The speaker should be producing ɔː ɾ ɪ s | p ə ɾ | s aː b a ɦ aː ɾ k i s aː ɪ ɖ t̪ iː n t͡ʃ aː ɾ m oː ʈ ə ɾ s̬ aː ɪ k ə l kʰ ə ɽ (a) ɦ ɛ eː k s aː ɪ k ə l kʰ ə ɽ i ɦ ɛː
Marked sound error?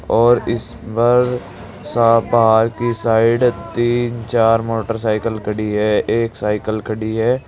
yes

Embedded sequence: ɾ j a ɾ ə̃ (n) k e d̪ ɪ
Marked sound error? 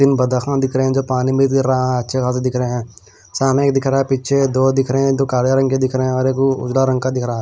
yes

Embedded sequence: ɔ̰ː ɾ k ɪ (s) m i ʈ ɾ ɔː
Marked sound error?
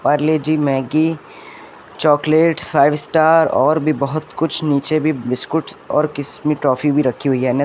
no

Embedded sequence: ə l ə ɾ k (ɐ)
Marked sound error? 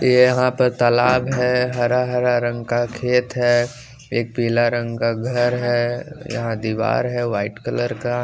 yes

